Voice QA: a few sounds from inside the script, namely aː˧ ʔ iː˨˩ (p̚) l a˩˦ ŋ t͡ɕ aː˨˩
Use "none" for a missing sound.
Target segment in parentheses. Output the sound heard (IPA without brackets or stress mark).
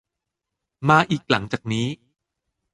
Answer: k̚